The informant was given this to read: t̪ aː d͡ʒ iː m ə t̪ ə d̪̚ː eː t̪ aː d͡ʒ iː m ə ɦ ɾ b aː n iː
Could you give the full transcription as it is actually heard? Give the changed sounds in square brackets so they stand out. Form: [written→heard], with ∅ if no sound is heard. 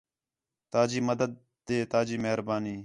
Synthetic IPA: t̪ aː d͡ʒ iː m ə [t̪→d̪] ə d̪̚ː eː t̪ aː d͡ʒ iː m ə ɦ ɾ b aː n iː